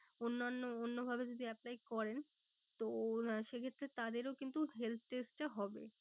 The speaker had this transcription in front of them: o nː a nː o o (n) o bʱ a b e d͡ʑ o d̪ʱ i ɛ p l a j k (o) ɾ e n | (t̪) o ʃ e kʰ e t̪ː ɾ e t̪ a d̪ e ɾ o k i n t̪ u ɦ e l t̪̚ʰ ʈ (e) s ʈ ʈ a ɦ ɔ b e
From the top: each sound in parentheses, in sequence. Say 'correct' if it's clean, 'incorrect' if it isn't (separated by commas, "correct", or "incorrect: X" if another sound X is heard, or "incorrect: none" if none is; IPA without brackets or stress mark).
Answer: incorrect: nː, incorrect: ɔ, correct, correct